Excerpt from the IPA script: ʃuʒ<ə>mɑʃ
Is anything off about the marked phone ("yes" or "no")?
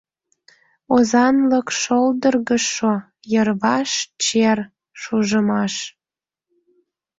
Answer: no